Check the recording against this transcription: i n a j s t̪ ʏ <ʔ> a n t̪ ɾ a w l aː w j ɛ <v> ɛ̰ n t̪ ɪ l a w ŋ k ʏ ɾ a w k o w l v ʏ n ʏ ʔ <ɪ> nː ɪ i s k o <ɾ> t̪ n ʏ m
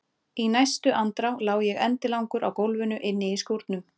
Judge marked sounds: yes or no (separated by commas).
yes, no, yes, yes